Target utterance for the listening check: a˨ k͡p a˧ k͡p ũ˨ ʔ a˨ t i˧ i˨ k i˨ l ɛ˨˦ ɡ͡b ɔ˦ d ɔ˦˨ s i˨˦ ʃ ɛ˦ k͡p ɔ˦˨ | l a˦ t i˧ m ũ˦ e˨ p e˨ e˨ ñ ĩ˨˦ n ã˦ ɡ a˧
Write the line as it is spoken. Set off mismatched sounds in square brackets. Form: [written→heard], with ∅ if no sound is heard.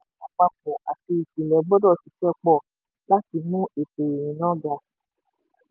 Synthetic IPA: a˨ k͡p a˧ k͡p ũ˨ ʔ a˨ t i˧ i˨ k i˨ l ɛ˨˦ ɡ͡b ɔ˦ d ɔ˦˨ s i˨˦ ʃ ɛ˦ k͡p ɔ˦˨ | l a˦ t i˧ m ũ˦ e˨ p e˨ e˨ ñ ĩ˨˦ n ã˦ ɡ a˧